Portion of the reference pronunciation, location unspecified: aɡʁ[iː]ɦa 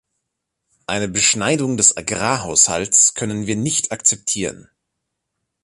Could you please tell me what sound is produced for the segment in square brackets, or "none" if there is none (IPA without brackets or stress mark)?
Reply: aː